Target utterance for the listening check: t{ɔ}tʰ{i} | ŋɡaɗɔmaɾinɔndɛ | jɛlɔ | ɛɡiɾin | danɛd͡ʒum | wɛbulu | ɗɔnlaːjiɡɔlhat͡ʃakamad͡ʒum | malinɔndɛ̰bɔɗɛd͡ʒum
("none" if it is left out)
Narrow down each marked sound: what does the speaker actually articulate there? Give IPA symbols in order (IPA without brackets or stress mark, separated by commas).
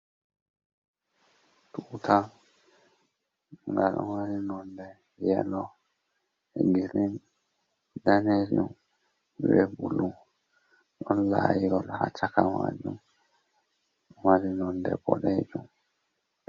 u, a